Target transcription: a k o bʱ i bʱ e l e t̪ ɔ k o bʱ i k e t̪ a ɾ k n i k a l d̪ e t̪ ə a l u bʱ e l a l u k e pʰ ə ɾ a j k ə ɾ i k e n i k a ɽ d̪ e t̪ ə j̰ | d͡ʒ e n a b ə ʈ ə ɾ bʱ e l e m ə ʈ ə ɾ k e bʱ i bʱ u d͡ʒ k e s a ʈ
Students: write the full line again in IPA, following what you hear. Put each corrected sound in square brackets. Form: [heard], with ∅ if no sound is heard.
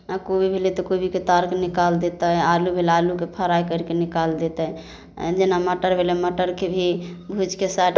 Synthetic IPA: a k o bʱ i bʱ e l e t̪ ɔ k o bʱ i k e t̪ a ɾ k n i k a l d̪ e t̪ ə a l u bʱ e l a l u k e pʰ ə ɾ a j k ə ɾ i k e n i k a [l] d̪ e t̪ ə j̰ | d͡ʒ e n a [m] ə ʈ ə ɾ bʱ e l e m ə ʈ ə ɾ k e bʱ i bʱ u d͡ʒ k e s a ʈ